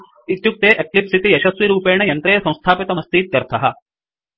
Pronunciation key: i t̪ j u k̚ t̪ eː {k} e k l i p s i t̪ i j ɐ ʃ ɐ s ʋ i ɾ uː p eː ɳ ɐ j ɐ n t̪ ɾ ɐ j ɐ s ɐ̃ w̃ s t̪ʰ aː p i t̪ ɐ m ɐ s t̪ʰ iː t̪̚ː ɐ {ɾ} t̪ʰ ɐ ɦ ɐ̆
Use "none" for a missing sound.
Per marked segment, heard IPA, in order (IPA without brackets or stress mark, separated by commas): ʔ, ɾ